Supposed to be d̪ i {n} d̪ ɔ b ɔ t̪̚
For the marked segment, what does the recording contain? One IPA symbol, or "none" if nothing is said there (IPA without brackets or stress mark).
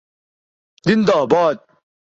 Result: n